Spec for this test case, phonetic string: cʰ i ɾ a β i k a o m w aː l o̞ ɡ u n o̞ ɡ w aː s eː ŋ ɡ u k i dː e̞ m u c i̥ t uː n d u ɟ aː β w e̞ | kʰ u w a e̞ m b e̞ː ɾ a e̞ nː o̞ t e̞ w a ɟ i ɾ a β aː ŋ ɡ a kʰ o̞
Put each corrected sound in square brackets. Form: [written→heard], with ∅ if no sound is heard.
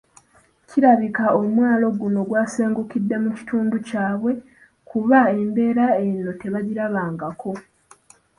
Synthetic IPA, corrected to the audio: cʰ i ɾ a β i k a o m w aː l o̞ ɡ u n o̞ ɡ w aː s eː ŋ ɡ u k i dː e̞ m u c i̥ t uː n d u [ɟ→c] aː β w e̞ | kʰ u [w→β] a e̞ m b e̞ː ɾ a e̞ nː o̞ t e̞ [w→β] a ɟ i ɾ a β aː ŋ ɡ a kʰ o̞